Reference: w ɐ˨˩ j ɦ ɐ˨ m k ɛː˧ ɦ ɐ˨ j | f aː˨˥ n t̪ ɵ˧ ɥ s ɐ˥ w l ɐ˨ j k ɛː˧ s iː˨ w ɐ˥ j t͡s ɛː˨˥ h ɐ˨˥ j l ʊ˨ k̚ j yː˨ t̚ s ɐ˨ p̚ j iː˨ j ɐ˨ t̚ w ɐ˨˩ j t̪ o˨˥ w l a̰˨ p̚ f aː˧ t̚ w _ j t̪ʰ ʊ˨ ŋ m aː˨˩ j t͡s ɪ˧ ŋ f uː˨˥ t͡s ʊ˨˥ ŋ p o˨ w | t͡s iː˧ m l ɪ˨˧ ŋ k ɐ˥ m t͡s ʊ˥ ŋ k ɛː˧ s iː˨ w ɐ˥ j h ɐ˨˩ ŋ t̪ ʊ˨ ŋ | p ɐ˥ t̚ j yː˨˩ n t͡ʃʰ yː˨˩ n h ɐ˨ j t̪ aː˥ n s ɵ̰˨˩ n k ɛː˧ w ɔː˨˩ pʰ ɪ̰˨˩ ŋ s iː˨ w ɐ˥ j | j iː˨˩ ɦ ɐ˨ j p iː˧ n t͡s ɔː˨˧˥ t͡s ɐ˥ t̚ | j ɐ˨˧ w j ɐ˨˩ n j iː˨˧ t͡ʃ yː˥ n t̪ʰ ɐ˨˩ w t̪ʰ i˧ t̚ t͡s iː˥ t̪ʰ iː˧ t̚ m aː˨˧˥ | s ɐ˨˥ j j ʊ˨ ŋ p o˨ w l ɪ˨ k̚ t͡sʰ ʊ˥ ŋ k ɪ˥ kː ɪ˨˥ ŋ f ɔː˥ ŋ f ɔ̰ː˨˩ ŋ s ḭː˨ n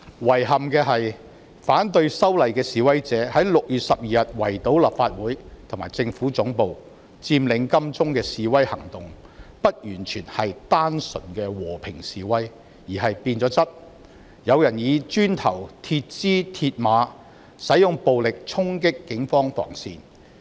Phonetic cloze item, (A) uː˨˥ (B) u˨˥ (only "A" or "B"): A